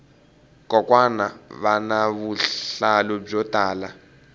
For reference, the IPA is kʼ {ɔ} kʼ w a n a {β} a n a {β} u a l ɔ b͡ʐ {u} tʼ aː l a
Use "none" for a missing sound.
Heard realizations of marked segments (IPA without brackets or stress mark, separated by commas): ɔ, β, β, ɔ